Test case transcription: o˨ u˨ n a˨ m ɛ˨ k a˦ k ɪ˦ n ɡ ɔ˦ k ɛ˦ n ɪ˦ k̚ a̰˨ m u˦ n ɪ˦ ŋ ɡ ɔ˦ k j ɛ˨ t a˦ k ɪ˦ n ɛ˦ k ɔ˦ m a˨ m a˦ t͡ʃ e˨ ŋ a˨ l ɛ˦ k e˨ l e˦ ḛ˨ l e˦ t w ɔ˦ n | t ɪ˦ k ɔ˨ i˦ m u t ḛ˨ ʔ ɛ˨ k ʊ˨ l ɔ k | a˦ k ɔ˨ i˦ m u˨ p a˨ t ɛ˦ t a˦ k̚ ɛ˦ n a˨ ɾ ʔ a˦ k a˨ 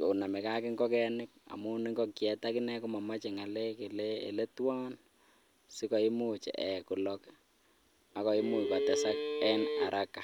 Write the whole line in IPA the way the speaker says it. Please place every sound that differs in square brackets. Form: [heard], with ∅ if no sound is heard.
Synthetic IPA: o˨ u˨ n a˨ m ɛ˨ k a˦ k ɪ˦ [ŋ] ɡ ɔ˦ k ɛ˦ n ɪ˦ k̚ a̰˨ m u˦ n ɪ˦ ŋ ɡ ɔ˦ k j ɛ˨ t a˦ k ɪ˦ n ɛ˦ k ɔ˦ m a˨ m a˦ t͡ʃ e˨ ŋ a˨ l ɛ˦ k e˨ l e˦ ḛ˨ l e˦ t w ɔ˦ n | [s] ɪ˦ k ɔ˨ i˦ m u [t͡ʃ] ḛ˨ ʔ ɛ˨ k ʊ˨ l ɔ k | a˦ k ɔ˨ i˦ m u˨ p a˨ t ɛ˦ [s] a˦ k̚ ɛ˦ n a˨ ɾ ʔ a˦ k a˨